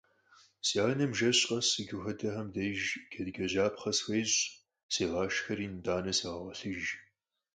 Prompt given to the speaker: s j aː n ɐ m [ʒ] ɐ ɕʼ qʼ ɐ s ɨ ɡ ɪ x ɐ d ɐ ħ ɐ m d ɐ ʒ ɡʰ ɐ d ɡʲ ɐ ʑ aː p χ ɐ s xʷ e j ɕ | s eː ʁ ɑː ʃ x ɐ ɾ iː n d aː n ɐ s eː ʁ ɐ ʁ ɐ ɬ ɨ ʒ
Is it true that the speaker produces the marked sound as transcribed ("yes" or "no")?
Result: yes